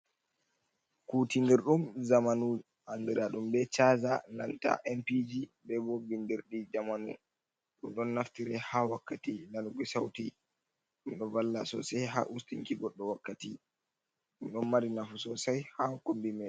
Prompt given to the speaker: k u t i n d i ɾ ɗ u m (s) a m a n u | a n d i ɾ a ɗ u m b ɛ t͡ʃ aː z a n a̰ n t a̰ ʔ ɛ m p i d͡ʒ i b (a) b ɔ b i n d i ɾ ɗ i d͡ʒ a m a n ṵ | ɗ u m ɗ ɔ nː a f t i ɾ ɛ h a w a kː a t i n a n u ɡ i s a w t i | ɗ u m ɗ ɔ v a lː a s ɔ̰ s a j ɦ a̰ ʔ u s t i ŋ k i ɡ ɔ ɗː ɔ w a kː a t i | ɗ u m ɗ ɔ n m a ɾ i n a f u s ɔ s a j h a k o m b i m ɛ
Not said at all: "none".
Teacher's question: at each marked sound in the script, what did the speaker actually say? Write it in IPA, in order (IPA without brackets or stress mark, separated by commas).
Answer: z, ɛ